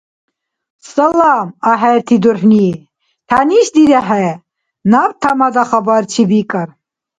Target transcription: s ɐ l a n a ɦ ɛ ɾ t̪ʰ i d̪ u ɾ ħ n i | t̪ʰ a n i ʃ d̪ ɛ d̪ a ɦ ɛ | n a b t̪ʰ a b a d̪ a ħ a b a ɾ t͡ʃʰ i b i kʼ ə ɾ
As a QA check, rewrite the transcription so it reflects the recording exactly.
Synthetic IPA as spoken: s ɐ l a m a ɦ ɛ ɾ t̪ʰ i d̪ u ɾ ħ n i | t̪ʰ a n i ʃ d̪ i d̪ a ɦ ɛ | n a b t̪ʰ a m a d̪ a χ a b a ɾ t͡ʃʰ i b i kʼ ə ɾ